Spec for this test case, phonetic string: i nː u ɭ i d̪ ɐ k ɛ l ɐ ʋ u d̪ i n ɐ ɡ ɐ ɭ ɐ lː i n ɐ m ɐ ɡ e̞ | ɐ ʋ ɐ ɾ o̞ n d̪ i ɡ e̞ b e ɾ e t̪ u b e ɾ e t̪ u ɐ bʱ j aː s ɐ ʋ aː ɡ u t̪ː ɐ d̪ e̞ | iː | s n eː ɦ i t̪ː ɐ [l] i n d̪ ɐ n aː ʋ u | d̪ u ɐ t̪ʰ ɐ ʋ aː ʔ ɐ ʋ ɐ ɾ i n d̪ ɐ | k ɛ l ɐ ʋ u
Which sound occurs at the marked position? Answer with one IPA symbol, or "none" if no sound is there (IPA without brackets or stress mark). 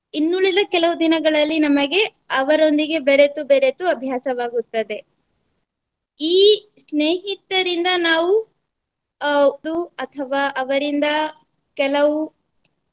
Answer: ɾ